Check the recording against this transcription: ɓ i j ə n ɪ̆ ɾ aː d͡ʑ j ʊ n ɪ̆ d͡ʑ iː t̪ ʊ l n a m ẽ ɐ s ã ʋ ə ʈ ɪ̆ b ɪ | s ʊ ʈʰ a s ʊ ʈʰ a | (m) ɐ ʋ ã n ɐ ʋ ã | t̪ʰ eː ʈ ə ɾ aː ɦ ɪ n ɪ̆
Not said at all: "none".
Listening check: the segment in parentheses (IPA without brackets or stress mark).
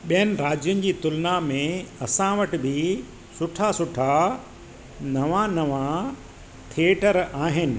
n